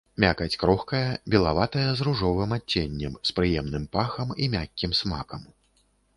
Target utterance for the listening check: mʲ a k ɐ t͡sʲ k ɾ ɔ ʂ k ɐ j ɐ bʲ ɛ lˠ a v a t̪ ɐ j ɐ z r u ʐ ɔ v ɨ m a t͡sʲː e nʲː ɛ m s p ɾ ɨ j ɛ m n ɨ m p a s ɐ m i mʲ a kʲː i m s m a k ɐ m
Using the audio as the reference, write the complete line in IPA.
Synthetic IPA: mʲ a k ɐ t͡sʲ k ɾ ɔ x k ɐ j ɐ bʲ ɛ lˠ a v a t̪ ɐ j ɐ z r u ʐ ɔ v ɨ m a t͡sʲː e nʲː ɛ m s p ɾ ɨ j ɛ m n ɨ m p a x ɐ m i mʲ a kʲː i m s m a k ɐ m